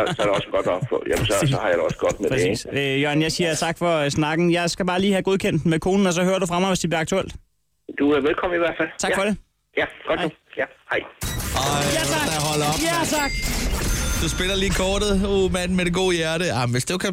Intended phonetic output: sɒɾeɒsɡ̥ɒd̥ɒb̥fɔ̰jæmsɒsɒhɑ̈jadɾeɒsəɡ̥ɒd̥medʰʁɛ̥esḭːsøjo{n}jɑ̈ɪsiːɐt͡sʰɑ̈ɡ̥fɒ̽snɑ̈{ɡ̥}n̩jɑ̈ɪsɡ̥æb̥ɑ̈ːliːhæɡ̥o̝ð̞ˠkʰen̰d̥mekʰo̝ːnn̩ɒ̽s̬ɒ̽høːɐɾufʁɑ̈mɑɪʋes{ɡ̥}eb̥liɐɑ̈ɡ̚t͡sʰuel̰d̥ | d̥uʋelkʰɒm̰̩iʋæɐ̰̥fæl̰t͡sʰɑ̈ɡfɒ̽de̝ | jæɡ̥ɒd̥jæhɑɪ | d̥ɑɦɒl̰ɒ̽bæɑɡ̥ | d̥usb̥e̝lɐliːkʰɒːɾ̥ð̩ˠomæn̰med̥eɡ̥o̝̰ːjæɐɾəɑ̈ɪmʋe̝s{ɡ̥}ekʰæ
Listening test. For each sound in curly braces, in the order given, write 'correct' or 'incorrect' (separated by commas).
correct, correct, incorrect, incorrect